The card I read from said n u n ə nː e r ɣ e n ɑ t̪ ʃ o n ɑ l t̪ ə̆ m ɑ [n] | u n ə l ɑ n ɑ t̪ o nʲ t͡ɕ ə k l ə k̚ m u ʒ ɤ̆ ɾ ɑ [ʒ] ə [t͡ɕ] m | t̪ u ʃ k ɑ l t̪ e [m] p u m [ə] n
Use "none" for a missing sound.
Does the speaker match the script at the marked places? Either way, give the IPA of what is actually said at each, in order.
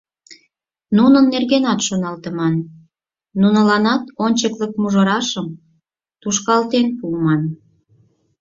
nː, ʃ, none, n, ɑ

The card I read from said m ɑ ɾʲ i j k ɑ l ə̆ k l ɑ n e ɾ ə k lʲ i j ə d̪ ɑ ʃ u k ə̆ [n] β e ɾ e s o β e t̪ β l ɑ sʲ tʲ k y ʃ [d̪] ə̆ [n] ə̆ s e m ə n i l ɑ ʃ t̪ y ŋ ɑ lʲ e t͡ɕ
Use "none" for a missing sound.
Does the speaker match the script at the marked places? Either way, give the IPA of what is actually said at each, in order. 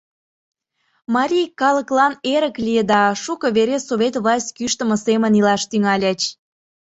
none, t̪, m

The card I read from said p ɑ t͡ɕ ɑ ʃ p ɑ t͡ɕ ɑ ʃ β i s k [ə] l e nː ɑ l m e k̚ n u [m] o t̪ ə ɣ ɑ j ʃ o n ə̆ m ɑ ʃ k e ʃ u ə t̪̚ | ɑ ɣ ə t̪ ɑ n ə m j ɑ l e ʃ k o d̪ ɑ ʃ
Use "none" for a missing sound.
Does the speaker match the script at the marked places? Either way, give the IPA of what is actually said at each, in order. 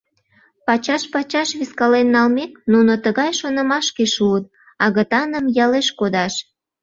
ɑ, n

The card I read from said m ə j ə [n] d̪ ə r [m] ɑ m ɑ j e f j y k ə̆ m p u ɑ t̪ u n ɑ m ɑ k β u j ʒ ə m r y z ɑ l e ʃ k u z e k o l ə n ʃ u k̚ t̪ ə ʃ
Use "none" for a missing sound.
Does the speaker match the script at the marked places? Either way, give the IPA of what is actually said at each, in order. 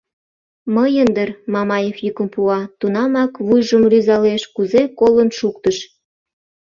n, m

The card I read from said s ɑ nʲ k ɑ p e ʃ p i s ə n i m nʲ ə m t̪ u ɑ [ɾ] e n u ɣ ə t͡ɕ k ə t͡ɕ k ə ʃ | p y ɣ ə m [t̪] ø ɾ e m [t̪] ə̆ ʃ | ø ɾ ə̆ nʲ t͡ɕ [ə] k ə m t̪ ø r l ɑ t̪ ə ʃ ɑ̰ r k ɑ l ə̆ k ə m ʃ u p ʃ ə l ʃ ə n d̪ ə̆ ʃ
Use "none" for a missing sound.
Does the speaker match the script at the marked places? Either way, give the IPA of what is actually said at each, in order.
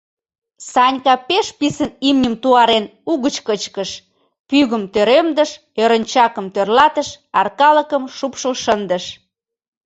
ɾ, t̪, d̪, ɑ

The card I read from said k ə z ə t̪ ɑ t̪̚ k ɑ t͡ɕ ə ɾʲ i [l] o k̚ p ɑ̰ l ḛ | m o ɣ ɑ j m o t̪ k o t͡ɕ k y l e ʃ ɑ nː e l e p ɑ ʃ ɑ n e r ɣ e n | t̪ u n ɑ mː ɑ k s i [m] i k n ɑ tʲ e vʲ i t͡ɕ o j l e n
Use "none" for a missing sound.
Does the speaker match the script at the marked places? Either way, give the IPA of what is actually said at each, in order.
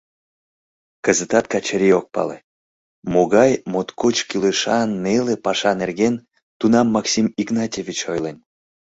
none, m

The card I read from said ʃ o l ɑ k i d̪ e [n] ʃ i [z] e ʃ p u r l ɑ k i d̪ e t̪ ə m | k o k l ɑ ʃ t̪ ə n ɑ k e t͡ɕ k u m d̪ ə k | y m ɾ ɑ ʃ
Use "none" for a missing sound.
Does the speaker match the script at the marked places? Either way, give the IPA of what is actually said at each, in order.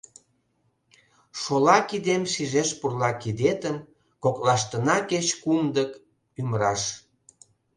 m, ʒ

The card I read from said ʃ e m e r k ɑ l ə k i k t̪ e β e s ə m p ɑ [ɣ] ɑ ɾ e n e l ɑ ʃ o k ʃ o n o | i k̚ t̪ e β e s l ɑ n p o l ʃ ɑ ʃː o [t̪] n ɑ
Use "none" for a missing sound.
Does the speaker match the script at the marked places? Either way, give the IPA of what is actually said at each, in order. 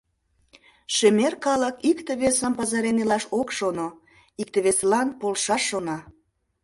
z, none

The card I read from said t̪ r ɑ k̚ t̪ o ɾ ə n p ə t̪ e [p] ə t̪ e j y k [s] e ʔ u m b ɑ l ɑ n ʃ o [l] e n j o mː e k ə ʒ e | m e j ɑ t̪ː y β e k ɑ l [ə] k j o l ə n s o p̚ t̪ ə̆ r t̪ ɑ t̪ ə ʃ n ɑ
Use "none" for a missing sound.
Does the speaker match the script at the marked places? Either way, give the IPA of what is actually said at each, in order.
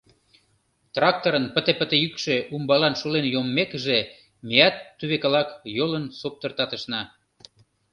p, ʃ, l, ɑ

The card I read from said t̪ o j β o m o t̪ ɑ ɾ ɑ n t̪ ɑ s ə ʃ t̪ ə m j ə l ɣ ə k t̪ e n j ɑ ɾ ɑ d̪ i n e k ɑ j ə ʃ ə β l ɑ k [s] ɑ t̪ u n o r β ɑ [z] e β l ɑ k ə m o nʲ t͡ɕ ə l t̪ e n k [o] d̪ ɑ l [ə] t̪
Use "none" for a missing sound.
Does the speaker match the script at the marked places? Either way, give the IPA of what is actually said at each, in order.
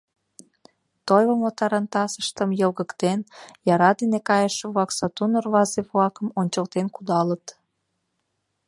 s, z, u, ə

